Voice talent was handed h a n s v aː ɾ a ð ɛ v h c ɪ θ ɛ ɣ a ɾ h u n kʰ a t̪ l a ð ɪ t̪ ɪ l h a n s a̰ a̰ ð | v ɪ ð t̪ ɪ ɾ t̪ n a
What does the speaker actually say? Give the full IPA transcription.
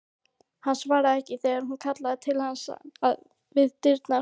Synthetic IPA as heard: h a n s v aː ɾ a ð ɛ h c ɪ θ ɛ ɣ a ɾ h u n kʰ a t̪ l a ð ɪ t̪ʰ ɪ l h a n s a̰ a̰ ð | v ɪ ð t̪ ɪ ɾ t̪ n a